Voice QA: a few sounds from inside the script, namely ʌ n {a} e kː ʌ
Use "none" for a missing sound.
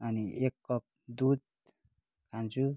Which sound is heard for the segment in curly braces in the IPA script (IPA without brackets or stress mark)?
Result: i